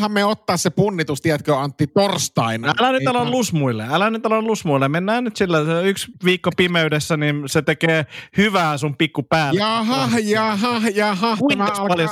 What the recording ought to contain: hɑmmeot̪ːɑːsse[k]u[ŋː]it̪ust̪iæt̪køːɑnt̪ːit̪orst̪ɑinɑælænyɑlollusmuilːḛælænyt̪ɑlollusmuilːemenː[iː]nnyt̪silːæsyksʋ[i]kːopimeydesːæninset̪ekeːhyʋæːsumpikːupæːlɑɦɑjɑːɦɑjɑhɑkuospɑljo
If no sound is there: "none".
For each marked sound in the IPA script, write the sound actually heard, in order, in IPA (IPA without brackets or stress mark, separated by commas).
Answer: p, nː, æː, iː